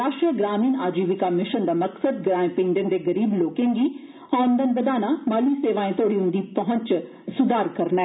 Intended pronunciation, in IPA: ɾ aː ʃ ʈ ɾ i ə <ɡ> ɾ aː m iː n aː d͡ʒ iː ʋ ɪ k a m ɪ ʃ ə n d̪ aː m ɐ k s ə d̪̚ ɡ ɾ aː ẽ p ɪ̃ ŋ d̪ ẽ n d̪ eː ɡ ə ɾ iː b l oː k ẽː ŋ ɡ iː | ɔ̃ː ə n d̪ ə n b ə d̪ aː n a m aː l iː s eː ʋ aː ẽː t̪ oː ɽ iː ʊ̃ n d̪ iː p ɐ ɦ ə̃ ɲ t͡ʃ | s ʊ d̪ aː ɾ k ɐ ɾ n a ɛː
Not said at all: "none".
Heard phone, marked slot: ɡ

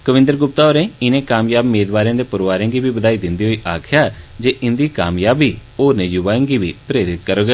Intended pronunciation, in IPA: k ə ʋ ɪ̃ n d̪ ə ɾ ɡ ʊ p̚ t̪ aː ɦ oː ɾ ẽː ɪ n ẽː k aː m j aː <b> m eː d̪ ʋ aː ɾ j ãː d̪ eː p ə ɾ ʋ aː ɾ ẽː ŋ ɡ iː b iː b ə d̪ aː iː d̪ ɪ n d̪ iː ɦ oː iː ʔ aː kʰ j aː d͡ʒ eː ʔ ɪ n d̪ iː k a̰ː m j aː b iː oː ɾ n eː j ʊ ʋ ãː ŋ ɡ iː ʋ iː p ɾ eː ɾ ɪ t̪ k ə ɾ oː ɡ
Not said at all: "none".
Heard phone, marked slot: b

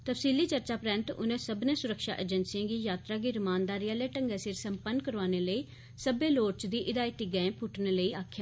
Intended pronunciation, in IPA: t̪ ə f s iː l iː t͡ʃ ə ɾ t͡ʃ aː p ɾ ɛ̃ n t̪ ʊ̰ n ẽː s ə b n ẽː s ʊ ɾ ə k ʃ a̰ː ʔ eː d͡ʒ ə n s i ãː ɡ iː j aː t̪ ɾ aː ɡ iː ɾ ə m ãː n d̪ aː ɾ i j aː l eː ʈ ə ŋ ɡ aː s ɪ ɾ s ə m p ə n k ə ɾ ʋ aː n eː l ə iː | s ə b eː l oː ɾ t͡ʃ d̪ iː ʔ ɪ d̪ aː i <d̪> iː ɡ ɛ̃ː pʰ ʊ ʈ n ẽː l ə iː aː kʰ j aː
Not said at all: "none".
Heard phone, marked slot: t̪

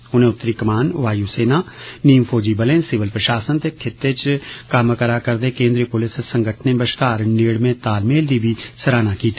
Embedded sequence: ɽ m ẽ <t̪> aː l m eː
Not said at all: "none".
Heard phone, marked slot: t̪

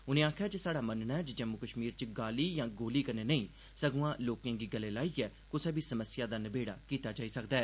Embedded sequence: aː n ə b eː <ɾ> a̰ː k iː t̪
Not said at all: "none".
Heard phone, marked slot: ɽ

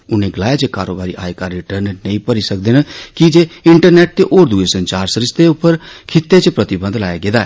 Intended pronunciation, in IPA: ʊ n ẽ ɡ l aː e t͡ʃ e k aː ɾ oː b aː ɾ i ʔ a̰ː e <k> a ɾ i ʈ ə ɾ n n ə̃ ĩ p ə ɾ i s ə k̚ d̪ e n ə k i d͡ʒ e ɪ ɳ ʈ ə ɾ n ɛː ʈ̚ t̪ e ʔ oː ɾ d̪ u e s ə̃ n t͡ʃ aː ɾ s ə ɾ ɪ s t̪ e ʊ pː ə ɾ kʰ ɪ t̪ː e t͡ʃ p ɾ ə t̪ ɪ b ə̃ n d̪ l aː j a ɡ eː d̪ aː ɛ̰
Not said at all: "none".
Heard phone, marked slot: k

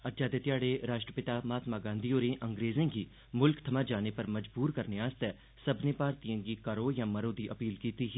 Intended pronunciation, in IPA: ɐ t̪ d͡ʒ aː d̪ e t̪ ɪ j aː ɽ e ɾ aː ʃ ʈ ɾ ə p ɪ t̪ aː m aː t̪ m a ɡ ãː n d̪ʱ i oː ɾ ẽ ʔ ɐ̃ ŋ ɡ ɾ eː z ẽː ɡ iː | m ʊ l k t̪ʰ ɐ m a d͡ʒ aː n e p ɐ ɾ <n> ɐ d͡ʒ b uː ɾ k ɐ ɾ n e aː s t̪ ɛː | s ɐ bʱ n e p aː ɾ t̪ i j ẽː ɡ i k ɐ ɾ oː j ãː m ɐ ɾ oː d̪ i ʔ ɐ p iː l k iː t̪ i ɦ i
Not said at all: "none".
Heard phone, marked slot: m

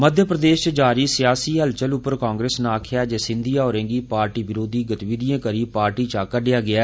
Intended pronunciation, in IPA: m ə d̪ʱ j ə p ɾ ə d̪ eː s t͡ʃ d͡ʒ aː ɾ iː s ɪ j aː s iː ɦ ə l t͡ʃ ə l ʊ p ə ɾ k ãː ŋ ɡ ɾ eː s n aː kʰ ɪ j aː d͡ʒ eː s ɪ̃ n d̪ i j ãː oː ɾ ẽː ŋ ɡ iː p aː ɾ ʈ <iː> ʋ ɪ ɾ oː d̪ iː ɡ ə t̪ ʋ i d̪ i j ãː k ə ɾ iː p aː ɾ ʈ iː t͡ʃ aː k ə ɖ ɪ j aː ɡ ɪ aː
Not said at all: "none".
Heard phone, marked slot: iː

